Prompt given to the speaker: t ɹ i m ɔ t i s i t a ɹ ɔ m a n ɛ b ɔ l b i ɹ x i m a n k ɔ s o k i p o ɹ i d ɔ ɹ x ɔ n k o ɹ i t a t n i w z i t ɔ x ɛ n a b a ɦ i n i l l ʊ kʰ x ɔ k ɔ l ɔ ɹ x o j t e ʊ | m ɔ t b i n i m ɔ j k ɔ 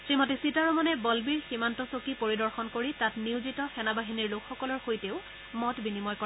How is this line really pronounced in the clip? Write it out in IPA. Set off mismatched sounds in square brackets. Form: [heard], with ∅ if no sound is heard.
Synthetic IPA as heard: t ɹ i m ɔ t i s i t a ɹ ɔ m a n ɛ b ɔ l b i ɹ x i m a n [t] ɔ s o k i p o ɹ i d ɔ ɹ x ɔ n k o ɹ i t a t n i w z i t ɔ x ɛ n a b a ɦ i n i [ɹ] l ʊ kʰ x ɔ k ɔ l ɔ ɹ x o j t e ʊ | m ɔ t b i n i m ɔ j k ɔ